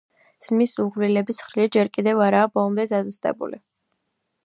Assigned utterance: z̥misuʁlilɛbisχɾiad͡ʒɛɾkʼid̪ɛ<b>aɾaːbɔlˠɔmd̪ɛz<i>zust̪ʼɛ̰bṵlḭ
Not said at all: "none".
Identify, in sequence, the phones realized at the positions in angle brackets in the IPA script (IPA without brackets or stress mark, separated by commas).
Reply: v, a